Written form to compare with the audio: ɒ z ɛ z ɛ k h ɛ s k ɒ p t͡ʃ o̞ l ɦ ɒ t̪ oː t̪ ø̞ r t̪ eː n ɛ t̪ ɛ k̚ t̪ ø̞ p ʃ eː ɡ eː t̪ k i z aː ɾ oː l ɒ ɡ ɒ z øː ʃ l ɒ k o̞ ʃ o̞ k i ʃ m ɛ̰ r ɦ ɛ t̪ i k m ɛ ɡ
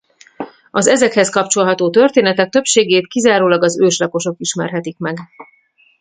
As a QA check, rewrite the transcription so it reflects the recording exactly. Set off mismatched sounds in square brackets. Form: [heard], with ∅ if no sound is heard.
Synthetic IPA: ɒ z ɛ z ɛ k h ɛ s k ɒ p t͡ʃ o̞ l ɦ ɒ t̪ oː t̪ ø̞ r t̪ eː n ɛ t̪ ɛ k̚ t̪ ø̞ p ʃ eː ɡ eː t̪ k i z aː ɾ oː l ɒ ɡ ɒ z øː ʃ l ɒ k o̞ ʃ o̞ k i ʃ m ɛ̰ r ɦ ɛ t̪ i k m ɛ ɡ

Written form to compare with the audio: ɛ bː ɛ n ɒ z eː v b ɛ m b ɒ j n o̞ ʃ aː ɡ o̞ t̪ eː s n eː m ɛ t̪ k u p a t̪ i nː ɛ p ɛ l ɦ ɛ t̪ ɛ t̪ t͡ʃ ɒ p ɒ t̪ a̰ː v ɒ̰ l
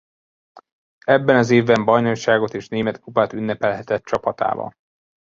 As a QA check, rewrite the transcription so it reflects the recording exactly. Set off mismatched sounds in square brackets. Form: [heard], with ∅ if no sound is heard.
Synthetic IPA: ɛ bː ɛ n ɒ z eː v b ɛ m b ɒ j n o̞ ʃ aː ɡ o̞ t̪ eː [ʃ] n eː m ɛ t̪ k u p a t̪ [y] nː ɛ p ɛ l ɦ ɛ t̪ ɛ t̪ t͡ʃ ɒ p ɒ t̪ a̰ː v ɒ̰ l

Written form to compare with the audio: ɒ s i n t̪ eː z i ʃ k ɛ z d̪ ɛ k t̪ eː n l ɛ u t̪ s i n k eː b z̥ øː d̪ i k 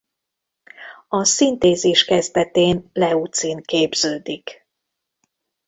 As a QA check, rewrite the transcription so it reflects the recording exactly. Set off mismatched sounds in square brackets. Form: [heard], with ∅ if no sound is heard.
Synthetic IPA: ɒ s i n t̪ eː z i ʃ k ɛ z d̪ ɛ [∅] t̪ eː n l ɛ u t̪ s i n k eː b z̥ øː d̪ i k

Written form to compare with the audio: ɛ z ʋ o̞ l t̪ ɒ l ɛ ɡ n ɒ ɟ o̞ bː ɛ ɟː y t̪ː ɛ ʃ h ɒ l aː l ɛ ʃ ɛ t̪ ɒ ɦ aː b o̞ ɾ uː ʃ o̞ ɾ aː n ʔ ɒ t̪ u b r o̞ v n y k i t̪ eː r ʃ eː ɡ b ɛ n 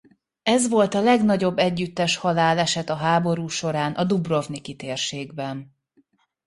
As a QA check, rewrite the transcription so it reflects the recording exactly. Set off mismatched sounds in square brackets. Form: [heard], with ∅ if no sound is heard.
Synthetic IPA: ɛ z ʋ o̞ l t̪ ɒ l ɛ ɡ n ɒ ɟ o̞ bː ɛ ɟː y t̪ː ɛ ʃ h ɒ l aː l ɛ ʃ ɛ t̪ ɒ ɦ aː b o̞ ɾ uː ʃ o̞ ɾ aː n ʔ ɒ [d̪] u b r o̞ v n [i] k i t̪ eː r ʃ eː ɡ b ɛ n

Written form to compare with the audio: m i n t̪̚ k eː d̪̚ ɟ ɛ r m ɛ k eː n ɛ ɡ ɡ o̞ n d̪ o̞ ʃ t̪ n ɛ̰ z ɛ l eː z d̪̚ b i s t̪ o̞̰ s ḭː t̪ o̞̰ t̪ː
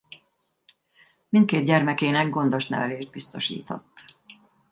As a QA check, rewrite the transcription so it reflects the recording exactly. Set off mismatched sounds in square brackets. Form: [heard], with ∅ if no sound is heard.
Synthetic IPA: m i n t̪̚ k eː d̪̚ ɟ ɛ r m ɛ k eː n ɛ ɡ ɡ o̞ n d̪ o̞ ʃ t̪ n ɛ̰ [v] ɛ l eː [ʒ] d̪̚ b i s t̪ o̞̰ [ʃ] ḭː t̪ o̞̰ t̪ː

